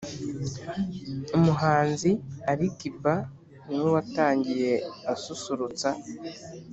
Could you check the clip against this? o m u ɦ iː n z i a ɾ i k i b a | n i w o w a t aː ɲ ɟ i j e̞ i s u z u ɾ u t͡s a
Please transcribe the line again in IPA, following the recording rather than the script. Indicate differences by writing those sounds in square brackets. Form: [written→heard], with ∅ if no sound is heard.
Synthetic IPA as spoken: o m u ɦ [iː→aː] n z i a ɾ i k i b a | n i w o w a t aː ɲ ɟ i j e̞ [i→a] s u [z→s] u ɾ u t͡s a